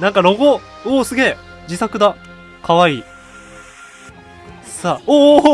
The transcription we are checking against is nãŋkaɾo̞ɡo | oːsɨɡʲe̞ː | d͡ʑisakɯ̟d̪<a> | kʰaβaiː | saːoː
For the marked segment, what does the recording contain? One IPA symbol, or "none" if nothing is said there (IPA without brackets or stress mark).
a